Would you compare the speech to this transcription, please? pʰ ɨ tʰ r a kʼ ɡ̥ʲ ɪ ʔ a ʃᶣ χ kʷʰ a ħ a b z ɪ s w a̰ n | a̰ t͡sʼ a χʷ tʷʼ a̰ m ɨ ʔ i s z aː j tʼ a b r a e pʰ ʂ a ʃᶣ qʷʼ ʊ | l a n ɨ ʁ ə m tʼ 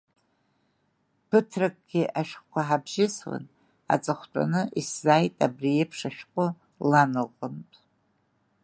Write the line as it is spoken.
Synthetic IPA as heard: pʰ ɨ tʰ r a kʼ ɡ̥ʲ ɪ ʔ a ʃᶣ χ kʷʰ a ħ a b ʒ ɪ s w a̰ n | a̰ t͡sʼ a χʷ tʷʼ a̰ n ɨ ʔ i s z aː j tʼ a b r i e pʰ ʂ a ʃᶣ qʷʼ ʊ | l a n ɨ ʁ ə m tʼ